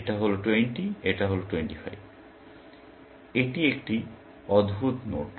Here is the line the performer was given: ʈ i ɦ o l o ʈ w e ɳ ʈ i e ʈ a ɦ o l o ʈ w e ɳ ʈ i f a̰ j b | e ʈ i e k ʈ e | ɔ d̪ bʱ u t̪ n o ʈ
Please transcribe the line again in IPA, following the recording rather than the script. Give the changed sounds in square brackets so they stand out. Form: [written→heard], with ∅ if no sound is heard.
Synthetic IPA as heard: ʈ [i→a] ɦ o l o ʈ w e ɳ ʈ i e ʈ a ɦ o l o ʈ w e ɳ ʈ i f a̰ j b | e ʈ i e k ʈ [e→i] | ɔ d̪ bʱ u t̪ n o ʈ